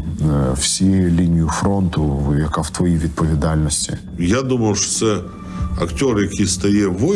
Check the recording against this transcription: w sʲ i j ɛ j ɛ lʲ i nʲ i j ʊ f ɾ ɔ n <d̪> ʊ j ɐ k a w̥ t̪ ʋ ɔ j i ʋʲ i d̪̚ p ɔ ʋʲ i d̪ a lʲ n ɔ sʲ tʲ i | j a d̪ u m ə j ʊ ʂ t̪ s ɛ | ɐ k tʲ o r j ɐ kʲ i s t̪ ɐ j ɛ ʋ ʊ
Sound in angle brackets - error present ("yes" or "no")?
yes